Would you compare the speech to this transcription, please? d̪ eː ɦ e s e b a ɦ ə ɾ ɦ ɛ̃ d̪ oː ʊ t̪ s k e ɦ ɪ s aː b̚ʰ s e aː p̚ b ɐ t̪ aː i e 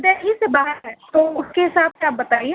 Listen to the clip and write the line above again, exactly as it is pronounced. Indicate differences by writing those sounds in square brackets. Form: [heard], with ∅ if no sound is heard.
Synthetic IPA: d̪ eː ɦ [i] s e b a ɦ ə ɾ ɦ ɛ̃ [t̪] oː ʊ [∅] s k e ɦ ɪ s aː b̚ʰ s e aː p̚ b ɐ t̪ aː i e